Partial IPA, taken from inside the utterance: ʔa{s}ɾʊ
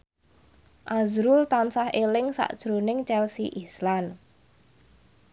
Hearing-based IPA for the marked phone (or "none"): z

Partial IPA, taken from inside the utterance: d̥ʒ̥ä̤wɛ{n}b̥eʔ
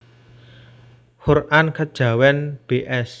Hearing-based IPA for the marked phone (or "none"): n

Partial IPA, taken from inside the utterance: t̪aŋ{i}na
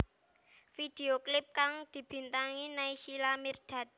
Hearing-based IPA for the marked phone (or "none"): i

